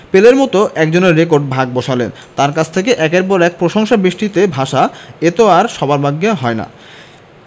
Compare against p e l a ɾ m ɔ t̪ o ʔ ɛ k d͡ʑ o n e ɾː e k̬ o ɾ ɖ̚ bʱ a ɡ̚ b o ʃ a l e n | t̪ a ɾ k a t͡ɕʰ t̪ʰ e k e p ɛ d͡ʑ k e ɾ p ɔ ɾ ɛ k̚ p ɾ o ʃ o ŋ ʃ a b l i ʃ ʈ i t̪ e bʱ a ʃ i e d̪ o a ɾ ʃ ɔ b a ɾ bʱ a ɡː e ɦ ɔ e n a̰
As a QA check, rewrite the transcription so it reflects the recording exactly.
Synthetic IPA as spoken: p e l e ɾ m ɔ t̪ o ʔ ɛ k d͡ʑ o n e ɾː e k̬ o ɾ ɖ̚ bʱ a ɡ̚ b o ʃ a l e n | t̪ a ɾ k a t͡ɕʰ t̪ʰ e k e ʔ ɛ k e ɾ p ɔ ɾ ɛ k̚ p ɾ o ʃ o ŋ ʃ a b ɾ i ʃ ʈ i t̪ e bʱ a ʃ a e t̪ o a ɾ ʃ ɔ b a ɾ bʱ a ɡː e ɦ ɔ e n a̰